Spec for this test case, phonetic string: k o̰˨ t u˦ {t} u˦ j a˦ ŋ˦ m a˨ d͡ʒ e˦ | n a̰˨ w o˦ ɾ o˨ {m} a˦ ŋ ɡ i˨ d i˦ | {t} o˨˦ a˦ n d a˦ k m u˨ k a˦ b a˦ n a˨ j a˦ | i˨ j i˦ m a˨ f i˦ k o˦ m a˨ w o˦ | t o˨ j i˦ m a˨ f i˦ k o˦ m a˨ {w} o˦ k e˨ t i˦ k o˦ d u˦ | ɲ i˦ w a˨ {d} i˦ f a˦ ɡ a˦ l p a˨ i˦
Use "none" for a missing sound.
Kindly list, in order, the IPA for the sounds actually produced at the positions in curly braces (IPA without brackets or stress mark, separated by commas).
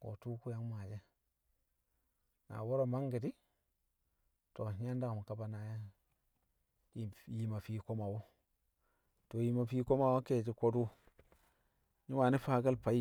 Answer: k, m, t, w, n